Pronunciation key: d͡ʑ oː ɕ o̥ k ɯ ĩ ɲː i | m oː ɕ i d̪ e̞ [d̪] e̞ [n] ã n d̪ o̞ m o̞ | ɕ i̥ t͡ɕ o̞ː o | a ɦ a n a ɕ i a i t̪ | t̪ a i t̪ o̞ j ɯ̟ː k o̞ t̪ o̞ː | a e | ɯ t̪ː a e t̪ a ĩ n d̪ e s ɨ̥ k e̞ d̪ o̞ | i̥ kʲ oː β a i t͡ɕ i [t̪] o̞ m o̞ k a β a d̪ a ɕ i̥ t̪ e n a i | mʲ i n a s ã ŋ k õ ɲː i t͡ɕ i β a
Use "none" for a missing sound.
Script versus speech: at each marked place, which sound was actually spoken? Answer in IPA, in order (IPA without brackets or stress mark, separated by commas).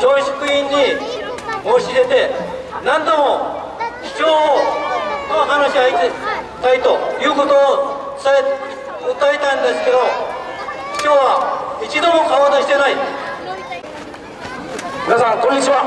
t̪, n, d̪